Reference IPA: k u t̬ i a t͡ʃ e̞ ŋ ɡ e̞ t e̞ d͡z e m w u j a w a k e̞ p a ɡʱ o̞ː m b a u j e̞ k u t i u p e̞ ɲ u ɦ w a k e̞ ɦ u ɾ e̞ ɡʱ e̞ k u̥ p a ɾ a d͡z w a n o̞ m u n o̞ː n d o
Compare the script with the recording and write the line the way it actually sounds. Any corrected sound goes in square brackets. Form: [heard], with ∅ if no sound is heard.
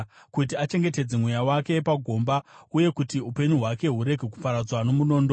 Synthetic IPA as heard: k u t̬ i a t͡ʃ e̞ ŋ ɡ e̞ t e̞ d͡z e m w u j a w a k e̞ p a ɡʱ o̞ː m b a u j e̞ k u t i u p e̞ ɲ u ɦ w a k e̞ ɦ u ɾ e̞ ɡʱ e̞ k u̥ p a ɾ a d͡z w a n o̞ m u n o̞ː n d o